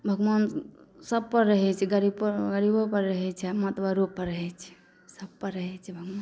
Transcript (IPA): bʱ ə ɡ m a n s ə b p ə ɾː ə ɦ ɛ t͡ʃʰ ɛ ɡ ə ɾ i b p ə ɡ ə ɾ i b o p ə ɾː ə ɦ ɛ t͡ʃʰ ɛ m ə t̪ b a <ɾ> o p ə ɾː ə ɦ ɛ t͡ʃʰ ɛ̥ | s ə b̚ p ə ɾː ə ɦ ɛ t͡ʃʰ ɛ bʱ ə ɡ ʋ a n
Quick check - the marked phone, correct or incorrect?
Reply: correct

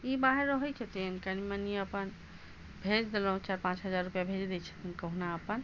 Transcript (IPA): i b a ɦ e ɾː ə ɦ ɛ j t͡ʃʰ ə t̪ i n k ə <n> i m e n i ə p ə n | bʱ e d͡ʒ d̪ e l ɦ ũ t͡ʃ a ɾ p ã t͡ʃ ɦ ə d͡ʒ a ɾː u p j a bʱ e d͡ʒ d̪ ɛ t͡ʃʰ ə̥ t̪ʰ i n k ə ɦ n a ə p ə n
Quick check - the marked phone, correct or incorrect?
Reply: correct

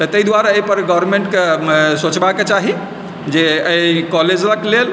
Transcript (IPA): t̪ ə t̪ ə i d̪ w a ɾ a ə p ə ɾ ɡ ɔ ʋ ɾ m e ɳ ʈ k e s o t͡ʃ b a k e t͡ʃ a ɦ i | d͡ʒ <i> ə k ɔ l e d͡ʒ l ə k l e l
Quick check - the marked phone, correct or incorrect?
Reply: incorrect: e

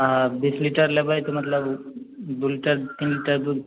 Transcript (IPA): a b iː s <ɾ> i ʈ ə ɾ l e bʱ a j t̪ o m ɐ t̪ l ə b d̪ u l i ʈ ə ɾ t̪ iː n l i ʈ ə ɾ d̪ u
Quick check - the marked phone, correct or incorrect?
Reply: incorrect: l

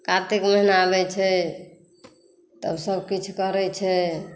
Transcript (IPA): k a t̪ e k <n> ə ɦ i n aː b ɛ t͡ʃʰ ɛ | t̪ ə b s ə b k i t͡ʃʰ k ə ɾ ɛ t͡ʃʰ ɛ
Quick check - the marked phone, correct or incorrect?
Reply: incorrect: m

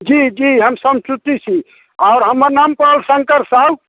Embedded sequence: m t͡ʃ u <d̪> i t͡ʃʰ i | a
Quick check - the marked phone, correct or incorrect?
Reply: incorrect: t̪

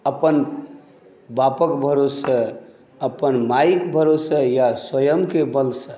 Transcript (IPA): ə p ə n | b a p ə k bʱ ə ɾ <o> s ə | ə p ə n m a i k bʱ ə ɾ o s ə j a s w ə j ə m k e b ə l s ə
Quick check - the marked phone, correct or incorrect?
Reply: correct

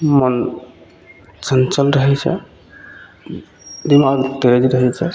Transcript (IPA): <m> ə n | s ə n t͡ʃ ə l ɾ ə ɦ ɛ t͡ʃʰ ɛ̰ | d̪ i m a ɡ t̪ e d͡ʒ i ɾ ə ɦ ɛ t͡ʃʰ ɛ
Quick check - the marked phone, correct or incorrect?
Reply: correct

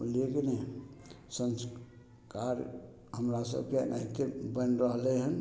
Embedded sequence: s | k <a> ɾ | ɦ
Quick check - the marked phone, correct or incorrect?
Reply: correct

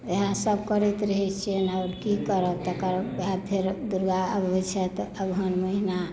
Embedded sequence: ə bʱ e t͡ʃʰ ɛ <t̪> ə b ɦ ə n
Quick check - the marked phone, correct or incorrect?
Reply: correct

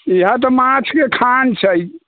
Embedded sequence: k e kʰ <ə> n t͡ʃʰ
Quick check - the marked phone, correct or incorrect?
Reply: incorrect: a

